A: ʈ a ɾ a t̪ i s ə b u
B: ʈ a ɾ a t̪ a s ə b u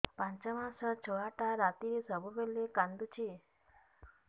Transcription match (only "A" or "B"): A